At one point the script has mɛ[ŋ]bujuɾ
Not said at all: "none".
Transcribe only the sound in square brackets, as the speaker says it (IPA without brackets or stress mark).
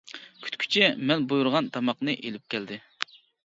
n